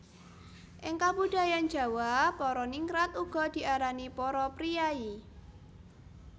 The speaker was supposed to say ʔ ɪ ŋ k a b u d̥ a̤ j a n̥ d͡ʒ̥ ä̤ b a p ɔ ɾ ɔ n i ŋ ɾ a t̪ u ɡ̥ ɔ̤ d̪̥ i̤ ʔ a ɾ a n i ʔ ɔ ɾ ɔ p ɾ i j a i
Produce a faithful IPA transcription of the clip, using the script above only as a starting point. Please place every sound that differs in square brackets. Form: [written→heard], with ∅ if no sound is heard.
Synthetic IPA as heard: ʔ ɪ ŋ k a b u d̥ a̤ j a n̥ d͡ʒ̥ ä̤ [b→w] a p ɔ ɾ ɔ n i ŋ ɾ a t̪ u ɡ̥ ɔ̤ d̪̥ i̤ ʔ a ɾ a n i [ʔ→p] ɔ ɾ ɔ p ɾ i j a i